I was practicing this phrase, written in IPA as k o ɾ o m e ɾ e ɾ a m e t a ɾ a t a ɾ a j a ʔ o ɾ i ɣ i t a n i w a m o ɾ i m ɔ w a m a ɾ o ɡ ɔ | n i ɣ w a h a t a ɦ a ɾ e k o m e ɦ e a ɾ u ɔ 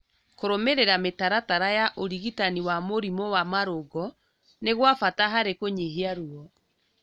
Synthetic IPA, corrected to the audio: k o ɾ o m e ɾ e ɾ a m e t a ɾ a t a ɾ a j a ʔ o ɾ i ɣ i t a n i w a m o ɾ i m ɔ w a m a ɾ o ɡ ɔ | n e ɣ w a f a t a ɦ a ɾ e k o ɲ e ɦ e a ɾ u ɔ

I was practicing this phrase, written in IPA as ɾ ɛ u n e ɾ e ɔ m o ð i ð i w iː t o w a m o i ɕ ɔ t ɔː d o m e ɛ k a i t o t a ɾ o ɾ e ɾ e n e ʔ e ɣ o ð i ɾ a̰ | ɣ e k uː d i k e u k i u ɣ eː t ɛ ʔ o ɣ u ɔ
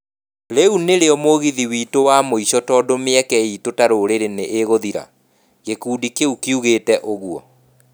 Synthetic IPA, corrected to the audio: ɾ e u n e ɾ e ɔ m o ɣ i ð i w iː t o w a m o i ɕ ɔ t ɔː d o m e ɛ k ɛ i t o t a ɾ o ɾ e ɾ e n e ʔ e ɣ o ð i ɾ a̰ | ɣ e k uː d i k e u k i u ɣ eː t ɛ ʔ o ɣ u ɔ

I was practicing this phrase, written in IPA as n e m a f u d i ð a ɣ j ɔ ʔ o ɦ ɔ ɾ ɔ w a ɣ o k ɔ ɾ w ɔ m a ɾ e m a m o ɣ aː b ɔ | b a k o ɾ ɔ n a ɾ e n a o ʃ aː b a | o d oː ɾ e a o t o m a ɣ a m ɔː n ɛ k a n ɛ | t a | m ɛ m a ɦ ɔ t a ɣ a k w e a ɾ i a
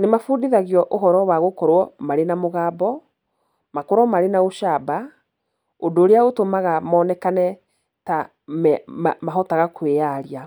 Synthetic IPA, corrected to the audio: n e m a f u d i ð a ɣ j ɔ ʔ o ɦ ɔ ɾ ɔ w a ɣ o k ɔ ɾ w ɔ m a ɾ e n a m o ɣ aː b ɔ | m a k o ɾ ɔ m a ɾ e n a o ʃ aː b a | o d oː ɾ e a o t o m a ɣ a m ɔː n ɛ k a n ɛ | t a | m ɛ m a ɦ ɔ t a ɣ a k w e a ɾ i a

